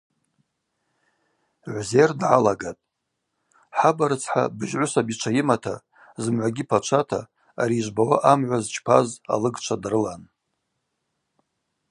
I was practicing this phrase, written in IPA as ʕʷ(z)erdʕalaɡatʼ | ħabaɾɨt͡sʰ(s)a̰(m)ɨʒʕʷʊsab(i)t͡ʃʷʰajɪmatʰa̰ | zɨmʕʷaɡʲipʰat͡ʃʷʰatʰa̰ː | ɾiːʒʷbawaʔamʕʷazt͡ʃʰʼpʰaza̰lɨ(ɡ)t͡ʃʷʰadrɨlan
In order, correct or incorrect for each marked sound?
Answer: correct, incorrect, incorrect, correct, correct

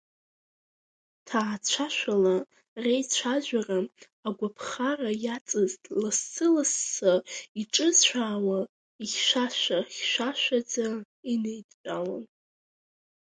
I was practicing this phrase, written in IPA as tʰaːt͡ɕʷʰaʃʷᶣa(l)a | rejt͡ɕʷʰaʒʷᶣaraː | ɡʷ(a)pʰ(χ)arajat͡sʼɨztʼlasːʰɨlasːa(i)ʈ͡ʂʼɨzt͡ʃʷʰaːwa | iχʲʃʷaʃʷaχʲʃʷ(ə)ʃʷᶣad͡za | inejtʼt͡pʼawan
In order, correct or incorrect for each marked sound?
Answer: correct, correct, correct, correct, incorrect

